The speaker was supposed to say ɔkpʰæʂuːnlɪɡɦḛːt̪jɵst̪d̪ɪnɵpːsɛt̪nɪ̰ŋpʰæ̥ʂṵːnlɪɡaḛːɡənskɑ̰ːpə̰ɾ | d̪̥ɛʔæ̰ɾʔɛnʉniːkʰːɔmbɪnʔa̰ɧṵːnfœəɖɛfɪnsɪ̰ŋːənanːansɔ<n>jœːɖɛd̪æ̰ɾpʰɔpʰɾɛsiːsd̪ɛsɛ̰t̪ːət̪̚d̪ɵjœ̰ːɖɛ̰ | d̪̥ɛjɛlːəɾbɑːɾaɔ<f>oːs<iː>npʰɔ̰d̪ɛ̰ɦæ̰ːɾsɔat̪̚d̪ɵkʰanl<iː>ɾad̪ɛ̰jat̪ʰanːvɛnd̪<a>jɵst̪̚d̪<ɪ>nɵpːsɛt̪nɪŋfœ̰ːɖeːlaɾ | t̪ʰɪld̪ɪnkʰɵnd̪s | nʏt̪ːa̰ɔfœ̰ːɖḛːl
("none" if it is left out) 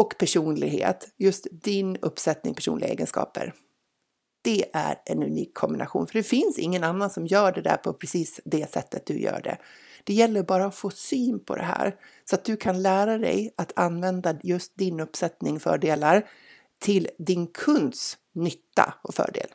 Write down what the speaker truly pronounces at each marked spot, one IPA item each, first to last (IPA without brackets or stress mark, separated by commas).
m, f, yː, æː, a, ɪ